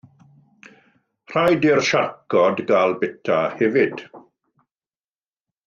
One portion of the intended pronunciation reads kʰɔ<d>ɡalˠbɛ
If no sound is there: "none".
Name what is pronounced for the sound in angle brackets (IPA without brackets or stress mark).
d